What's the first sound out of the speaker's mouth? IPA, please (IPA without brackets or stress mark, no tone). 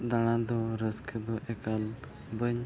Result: d̪